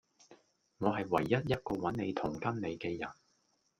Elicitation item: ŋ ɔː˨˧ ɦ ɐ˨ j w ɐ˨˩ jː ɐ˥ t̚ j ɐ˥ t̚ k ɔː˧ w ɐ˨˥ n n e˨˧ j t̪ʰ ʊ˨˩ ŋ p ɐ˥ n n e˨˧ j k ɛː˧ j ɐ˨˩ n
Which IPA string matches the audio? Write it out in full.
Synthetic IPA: ŋ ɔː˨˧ ɦ ɐ˨ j w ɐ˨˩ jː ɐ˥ t̚ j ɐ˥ t̚ k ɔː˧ w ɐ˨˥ n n e˨˧ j t̪ʰ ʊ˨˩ ŋ k ɐ˥ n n e˨˧ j k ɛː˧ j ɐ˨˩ n